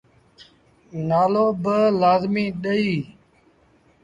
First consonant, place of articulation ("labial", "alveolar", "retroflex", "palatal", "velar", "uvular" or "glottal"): alveolar